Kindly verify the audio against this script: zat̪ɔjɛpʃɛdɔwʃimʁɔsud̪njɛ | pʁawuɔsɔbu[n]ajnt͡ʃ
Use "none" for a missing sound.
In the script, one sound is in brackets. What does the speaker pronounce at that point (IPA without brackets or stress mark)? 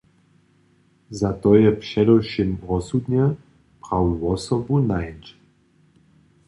n